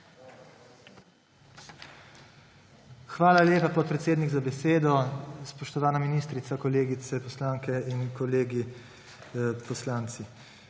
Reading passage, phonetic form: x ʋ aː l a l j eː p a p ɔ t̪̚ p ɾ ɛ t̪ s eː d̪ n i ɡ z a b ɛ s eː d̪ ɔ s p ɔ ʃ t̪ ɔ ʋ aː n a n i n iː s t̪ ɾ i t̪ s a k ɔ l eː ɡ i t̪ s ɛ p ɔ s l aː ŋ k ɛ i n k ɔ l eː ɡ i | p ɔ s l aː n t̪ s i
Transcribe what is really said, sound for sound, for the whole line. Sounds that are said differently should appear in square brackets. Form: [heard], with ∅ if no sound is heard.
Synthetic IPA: x ʋ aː l a l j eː p a p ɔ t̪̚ p ɾ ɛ t̪ s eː d̪ n i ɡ z a b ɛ s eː d̪ ɔ s p ɔ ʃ t̪ ɔ ʋ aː n a [m] i n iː s t̪ ɾ i t̪ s a k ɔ l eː ɡ i t̪ s ɛ p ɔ s l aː ŋ k ɛ i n k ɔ l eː ɡ i | p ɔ s l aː n t̪ s i